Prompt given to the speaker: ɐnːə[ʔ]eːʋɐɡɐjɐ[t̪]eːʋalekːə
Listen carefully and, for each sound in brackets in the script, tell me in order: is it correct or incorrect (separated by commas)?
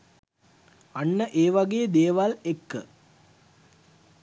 correct, incorrect